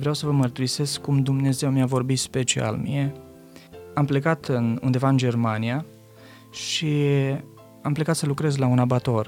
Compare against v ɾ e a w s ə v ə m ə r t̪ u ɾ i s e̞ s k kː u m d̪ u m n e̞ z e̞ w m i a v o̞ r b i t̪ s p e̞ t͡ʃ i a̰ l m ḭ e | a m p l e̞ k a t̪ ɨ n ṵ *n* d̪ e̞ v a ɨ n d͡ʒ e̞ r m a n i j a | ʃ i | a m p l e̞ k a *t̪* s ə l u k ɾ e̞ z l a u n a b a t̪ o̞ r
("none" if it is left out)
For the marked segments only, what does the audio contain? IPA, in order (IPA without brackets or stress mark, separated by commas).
n, t̪